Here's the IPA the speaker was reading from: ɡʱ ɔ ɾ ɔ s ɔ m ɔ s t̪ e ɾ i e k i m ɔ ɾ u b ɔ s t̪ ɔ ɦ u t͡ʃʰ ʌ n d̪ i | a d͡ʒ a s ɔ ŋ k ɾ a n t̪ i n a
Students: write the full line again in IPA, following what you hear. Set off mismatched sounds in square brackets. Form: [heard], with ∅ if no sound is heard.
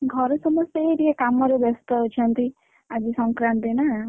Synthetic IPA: ɡʱ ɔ ɾ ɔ s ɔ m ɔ s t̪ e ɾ i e k [a] m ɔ ɾ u b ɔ s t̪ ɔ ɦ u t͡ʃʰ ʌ n [t̪] i | a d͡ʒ [i] s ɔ ŋ k ɾ a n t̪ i n a